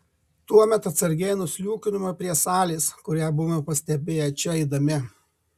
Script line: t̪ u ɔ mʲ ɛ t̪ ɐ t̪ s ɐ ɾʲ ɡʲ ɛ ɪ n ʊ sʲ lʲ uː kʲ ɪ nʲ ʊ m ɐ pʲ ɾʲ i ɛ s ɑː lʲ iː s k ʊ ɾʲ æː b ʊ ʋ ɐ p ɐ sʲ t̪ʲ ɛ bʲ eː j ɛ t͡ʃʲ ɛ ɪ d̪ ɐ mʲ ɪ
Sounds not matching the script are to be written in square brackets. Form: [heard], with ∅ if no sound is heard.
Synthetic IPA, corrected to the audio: t̪ u ɔ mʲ ɛ t̪ ɐ t̪ s ɐ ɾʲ ɡʲ ɛ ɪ n ʊ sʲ lʲ uː kʲ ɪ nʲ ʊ m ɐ pʲ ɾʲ i ɛ s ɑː lʲ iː s k ʊ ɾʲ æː b ʊ ʋ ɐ p ɐ sʲ t̪ʲ ɛ bʲ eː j ɛ t͡ʃʲ ɛ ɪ d̪ ɐ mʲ ɪ